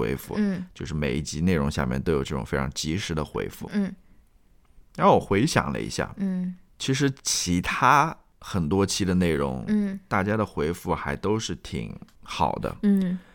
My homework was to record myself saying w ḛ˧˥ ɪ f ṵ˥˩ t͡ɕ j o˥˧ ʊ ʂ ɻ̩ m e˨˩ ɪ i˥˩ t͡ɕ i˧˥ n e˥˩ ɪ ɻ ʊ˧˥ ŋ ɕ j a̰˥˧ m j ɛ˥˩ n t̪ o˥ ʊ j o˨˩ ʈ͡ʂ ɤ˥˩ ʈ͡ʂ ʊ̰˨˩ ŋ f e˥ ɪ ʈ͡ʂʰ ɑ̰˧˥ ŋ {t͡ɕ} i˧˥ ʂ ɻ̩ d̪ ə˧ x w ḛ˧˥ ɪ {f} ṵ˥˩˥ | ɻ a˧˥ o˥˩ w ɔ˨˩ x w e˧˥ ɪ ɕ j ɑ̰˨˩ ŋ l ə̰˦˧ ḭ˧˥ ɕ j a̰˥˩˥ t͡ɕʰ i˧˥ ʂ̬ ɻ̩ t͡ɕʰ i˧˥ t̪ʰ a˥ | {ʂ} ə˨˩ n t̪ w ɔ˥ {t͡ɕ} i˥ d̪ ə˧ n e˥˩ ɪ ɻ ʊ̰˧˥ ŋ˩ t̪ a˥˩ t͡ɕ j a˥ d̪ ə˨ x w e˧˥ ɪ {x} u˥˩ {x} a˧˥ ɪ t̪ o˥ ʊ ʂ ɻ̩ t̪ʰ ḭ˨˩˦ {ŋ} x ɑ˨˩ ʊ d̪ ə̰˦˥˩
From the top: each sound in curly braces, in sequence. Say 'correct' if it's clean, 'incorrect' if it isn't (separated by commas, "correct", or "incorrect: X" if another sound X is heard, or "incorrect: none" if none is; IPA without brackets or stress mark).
correct, correct, incorrect: x, incorrect: t͡ɕʰ, incorrect: f, correct, correct